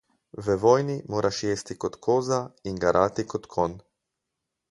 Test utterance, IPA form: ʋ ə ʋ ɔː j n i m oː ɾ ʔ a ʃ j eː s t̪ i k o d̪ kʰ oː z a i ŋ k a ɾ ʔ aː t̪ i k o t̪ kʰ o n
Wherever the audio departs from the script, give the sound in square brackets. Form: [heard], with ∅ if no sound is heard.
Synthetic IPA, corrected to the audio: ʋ ə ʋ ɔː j n i m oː ɾ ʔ a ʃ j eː s t̪ i k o [t̪] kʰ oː z a i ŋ [ɡ] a ɾ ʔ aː t̪ i k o t̪ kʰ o n

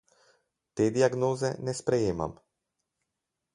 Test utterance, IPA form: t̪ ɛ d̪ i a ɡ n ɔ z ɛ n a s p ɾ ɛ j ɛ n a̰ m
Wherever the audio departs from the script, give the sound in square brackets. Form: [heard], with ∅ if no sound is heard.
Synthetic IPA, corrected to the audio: t̪ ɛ d̪ i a ɡ n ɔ z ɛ n [ɛ] s p ɾ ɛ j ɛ [m] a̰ m

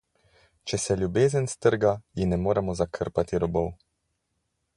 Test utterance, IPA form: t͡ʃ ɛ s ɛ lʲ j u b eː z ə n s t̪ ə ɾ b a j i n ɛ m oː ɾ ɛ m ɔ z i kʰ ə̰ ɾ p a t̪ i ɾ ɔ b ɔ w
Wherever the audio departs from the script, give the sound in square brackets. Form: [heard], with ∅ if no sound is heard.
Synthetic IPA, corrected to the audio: t͡ʃ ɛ s ɛ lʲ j u b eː z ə n s t̪ ə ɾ [ɡ] a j i n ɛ m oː ɾ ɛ m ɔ z [a] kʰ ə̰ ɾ p a t̪ i ɾ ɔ b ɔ w

